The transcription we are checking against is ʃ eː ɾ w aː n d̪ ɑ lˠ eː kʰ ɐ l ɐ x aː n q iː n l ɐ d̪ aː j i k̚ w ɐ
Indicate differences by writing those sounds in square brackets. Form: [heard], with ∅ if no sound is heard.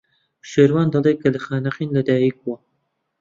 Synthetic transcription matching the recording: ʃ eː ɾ w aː n d̪ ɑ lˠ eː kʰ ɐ l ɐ x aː n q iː n l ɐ d̪ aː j i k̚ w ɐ

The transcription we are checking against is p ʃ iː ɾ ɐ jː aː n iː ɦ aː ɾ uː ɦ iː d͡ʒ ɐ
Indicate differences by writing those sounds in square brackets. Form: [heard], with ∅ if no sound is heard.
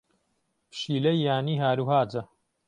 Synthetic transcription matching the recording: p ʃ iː [l] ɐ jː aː n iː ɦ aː ɾ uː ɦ [aː] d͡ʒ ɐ

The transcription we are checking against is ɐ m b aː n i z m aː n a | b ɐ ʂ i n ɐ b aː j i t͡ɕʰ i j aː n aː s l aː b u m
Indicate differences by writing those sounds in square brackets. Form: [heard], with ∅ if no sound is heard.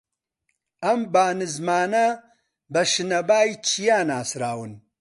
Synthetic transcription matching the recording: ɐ m b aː n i z m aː n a | b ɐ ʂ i n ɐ b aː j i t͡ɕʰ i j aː n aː s [ɾ] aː [w] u [n]

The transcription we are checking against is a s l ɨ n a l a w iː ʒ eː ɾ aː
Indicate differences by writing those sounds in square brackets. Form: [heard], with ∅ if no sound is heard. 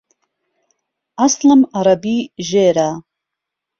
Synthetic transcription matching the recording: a s l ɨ [m] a [ɾ] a [b] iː ʒ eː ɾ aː

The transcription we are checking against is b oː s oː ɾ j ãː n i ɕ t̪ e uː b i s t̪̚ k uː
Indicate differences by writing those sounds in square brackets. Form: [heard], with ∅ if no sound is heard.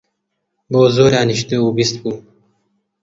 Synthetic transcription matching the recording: b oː [z] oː ɾ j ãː n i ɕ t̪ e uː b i s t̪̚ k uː

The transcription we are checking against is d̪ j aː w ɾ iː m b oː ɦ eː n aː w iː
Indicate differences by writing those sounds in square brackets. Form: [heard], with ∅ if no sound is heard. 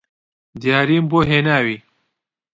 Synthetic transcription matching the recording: d̪ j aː [∅] ɾ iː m b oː ɦ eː n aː w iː

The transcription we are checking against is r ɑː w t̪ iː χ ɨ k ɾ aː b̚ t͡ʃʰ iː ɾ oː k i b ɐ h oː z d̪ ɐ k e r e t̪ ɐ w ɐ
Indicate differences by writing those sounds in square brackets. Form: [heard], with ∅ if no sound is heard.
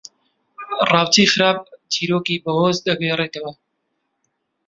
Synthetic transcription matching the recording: r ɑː w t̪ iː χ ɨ [∅] ɾ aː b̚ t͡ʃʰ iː ɾ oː k i b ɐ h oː z d̪ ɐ [ɡ] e r e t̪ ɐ w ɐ

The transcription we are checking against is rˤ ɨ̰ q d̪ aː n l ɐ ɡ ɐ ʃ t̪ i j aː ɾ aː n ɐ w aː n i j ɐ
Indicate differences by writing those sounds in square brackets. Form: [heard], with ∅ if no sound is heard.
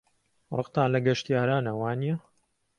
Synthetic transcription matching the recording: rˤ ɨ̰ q [t̪] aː n l ɐ ɡ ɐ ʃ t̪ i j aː ɾ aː n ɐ w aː n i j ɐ

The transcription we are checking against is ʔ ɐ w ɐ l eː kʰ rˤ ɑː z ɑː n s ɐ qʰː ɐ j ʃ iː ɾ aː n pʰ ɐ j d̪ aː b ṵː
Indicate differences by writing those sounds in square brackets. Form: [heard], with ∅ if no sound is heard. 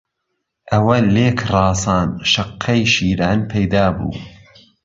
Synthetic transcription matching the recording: ʔ ɐ w ɐ l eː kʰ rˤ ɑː [s] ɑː n [ʃ] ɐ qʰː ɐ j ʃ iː ɾ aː n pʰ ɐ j d̪ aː b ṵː

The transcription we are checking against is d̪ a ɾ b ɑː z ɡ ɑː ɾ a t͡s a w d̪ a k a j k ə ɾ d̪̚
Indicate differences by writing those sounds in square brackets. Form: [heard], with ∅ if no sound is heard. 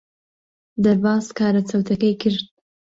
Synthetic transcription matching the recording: d̪ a ɾ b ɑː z [k] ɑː ɾ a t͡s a w [t̪] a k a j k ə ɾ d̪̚

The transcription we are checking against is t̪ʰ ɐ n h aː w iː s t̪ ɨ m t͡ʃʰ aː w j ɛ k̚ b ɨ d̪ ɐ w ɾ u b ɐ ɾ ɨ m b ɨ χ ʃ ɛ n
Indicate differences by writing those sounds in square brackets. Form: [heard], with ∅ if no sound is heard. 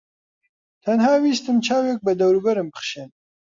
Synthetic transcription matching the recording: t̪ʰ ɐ n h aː w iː s t̪ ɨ m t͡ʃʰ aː w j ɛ k̚ b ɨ d̪ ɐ w ɾ u b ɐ ɾ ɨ m b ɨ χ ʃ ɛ n

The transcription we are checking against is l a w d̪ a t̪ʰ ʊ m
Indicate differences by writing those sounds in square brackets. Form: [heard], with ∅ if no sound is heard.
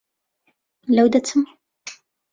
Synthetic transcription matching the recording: l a w d̪ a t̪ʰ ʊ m

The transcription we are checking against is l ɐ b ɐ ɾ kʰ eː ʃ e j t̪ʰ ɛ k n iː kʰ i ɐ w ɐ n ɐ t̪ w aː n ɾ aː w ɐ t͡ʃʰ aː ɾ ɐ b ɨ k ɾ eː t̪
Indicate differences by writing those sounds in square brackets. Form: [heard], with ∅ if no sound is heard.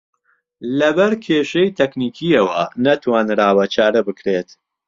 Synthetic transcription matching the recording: l ɐ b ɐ ɾ kʰ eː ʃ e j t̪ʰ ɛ k n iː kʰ i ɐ w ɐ n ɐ t̪ w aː n ɾ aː w ɐ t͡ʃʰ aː ɾ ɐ b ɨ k ɾ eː t̪

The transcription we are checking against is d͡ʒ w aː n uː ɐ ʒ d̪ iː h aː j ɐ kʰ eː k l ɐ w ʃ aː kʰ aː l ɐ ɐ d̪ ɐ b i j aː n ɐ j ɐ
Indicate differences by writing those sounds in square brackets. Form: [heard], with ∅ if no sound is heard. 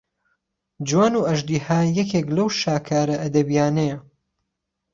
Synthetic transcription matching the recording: d͡ʒ w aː n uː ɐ ʒ d̪ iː h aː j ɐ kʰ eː k l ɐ w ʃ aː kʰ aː [ɾ] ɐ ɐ d̪ ɐ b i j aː n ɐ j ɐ

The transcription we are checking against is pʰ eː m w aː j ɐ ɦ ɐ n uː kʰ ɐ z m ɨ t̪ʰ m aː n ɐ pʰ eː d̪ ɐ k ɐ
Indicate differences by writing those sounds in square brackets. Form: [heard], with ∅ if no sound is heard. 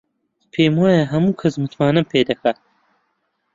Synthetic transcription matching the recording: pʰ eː m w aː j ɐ ɦ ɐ [m] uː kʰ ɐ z m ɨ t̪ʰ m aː n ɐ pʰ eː d̪ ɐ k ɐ

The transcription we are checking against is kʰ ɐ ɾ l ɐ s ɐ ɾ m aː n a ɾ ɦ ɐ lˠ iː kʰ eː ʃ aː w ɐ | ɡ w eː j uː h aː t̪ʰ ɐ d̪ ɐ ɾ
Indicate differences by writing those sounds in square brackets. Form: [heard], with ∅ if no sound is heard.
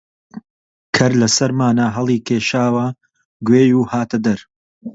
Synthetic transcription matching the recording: kʰ ɐ ɾ l ɐ s ɐ ɾ m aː n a [∅] ɦ ɐ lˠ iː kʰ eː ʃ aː w ɐ | ɡ w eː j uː h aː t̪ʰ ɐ d̪ ɐ ɾ

